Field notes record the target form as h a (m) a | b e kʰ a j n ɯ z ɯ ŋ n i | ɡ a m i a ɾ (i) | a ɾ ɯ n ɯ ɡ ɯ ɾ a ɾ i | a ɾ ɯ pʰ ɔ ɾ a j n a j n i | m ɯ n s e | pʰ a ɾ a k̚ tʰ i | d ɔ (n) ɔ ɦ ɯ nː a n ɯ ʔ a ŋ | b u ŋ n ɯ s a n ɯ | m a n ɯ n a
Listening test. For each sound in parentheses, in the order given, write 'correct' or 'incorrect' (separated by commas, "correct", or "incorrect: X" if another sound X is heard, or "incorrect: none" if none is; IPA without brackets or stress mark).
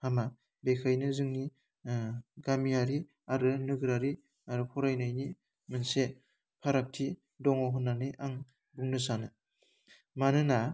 correct, correct, incorrect: ŋ